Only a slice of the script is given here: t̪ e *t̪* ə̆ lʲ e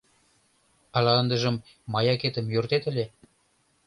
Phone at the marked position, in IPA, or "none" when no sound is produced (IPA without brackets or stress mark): t̪